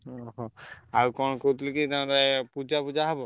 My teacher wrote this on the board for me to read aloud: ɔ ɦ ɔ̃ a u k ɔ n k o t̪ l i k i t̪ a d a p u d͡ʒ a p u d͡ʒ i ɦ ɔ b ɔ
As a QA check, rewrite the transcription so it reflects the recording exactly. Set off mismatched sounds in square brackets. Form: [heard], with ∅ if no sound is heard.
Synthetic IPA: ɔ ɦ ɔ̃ a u k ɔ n k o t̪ l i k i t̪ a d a p u d͡ʒ a p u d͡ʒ [a] ɦ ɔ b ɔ

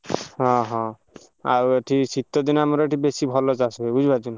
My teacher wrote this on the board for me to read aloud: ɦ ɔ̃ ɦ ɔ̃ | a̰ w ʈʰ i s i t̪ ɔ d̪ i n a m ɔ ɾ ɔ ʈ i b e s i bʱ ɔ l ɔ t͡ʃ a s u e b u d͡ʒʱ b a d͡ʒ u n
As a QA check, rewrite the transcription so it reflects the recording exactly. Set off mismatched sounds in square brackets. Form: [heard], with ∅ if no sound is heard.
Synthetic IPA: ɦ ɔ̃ ɦ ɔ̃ | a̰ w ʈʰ i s i t̪ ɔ d̪ i n a m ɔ ɾ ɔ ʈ i b e s i bʱ ɔ l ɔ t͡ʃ a s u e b u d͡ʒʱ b a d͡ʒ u n

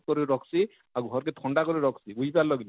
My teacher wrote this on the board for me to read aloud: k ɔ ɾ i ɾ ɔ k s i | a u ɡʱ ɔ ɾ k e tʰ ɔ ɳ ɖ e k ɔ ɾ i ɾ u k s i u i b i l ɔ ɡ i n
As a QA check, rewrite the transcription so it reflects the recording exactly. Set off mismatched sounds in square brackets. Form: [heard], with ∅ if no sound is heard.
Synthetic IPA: k ɔ ɾ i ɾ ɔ k s i | a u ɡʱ ɔ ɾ k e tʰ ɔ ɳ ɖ [a] k ɔ ɾ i ɾ [ɔ] k s i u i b [a] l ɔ ɡ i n

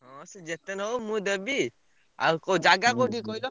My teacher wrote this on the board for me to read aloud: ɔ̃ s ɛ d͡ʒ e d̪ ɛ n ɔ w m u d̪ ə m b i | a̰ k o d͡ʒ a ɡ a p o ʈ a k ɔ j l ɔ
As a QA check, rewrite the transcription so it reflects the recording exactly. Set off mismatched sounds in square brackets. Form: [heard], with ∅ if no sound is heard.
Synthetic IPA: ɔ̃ s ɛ d͡ʒ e [t̪] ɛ n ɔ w m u d̪ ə [∅] b i | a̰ k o d͡ʒ a ɡ a [k] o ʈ [i] k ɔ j l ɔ

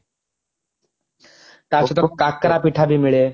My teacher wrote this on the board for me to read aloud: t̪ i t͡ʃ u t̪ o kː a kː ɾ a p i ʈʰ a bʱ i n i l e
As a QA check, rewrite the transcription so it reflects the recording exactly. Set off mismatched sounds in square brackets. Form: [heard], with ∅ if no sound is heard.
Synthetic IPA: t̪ [a] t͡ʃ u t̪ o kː a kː ɾ a p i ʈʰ a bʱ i [m] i [ɭ] e

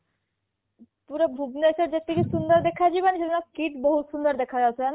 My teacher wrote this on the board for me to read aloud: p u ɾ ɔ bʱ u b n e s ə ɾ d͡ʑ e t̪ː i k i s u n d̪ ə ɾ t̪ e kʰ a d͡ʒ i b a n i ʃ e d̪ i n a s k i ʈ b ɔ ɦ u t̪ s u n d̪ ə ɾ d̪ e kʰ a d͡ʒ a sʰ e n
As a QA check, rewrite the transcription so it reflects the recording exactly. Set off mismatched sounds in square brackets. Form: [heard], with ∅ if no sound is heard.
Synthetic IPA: p u ɾ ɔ bʱ u b n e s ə ɾ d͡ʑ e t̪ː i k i s u n d̪ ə ɾ [d̪] e kʰ a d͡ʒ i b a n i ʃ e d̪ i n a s k i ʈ b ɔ ɦ u t̪ s u n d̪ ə ɾ d̪ e kʰ a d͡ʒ a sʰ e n

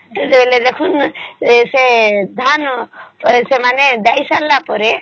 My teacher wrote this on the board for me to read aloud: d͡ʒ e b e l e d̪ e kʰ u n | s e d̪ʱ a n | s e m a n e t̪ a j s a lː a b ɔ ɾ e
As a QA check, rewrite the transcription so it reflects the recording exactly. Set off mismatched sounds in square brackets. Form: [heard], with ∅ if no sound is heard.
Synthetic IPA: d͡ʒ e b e l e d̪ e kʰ u n | s e d̪ʱ a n | s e m a n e [d̪] a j s a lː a [p] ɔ ɾ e

